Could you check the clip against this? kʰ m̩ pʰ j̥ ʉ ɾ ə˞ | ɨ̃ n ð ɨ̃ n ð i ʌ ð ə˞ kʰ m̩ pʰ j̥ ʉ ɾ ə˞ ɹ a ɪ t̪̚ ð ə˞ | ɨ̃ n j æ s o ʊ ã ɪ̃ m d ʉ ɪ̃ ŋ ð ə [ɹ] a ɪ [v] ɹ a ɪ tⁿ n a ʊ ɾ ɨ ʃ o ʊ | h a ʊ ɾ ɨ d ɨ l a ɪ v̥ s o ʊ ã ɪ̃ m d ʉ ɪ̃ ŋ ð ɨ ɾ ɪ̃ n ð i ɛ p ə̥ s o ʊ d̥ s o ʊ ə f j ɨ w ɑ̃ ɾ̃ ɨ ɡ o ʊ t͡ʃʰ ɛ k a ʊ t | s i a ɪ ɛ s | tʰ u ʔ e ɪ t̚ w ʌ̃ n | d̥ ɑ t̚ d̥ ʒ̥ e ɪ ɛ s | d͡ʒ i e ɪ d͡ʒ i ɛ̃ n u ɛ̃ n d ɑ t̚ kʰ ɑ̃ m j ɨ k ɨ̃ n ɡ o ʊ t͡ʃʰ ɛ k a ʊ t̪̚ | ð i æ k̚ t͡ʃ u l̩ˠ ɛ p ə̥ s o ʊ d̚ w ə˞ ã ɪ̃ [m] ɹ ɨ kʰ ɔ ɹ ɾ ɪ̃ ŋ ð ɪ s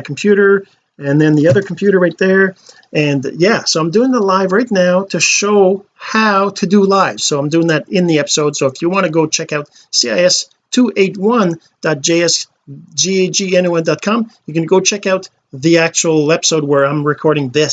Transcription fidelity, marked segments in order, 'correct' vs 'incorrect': incorrect: l, correct, correct

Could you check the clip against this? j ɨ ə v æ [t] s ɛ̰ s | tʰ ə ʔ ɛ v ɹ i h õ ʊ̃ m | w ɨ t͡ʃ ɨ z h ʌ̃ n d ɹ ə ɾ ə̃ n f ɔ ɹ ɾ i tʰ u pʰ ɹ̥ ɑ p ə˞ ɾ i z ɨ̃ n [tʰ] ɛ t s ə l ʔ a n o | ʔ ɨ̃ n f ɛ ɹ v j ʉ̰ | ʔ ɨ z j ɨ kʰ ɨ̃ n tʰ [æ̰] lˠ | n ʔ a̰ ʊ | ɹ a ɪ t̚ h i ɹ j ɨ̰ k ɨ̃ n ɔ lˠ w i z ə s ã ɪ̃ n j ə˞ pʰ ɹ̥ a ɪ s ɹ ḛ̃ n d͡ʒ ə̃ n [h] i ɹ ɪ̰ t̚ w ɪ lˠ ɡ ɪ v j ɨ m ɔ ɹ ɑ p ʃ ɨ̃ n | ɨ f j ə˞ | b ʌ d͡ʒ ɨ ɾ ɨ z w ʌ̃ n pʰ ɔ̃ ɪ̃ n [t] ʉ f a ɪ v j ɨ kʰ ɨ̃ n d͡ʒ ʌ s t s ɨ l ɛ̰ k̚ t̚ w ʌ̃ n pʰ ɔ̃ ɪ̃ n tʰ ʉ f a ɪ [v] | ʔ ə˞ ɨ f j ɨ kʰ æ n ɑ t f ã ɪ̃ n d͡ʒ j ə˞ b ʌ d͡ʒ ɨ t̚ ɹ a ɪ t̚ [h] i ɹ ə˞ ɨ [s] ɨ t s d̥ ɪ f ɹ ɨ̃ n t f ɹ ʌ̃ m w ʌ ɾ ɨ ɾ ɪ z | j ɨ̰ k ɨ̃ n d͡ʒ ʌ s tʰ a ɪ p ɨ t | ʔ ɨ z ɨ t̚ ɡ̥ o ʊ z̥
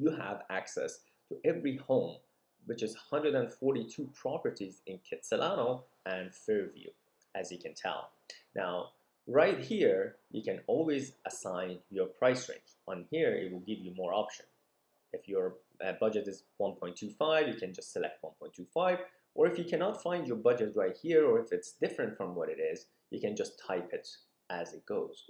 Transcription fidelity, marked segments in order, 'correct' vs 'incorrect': incorrect: k, incorrect: kʰ, incorrect: ɛ̰, correct, incorrect: tʰ, correct, correct, incorrect: f

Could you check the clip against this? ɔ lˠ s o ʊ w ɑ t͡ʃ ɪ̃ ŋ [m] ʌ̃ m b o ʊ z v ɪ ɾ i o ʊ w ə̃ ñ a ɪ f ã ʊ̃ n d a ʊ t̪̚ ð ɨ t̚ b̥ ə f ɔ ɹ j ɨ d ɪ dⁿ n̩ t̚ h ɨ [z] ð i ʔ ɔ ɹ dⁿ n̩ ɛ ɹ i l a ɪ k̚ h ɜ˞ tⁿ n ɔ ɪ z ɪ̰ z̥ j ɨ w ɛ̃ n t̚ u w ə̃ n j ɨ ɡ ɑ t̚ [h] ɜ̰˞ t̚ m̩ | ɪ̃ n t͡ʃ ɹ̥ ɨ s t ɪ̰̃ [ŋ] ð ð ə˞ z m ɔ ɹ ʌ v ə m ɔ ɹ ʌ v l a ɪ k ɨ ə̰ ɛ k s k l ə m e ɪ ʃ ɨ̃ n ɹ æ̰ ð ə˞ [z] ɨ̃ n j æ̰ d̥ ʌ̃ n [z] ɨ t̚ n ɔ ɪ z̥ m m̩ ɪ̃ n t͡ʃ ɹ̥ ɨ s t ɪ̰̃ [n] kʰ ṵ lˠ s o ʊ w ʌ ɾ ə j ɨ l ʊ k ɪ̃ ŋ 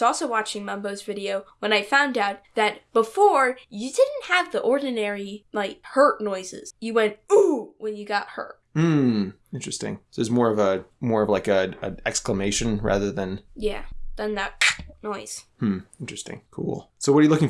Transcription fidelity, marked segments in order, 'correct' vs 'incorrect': correct, incorrect: v, correct, correct, incorrect: ð, incorrect: ð, incorrect: ŋ

